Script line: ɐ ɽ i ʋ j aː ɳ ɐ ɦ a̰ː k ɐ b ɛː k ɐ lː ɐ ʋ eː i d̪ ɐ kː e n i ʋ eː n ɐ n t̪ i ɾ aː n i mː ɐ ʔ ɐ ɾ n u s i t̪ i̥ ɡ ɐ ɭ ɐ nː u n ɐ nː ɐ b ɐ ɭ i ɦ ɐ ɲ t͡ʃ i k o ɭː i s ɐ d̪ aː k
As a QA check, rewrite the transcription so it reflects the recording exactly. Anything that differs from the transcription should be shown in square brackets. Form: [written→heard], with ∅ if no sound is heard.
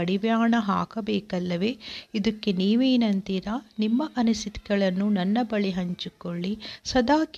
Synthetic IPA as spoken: ɐ ɽ i ʋ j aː ɳ ɐ ɦ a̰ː k ɐ b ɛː k ɐ lː ɐ ʋ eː i d̪ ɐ kː e n [i→iː] ʋ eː n ɐ n t̪ i ɾ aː n i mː ɐ ʔ ɐ [ɾ→∅] n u s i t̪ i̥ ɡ ɐ ɭ ɐ nː u n ɐ nː ɐ b ɐ ɭ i ɦ ɐ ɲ t͡ʃ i k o ɭː i s ɐ d̪ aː k